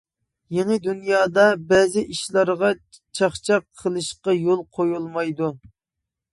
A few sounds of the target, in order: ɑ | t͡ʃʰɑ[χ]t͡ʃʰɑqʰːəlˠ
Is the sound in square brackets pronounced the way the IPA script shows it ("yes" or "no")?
yes